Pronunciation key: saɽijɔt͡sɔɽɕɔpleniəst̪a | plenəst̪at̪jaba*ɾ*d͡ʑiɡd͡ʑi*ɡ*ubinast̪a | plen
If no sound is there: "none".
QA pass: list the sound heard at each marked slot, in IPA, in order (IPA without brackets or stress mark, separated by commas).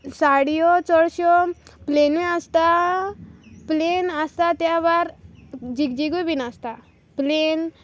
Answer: ɾ, ɡ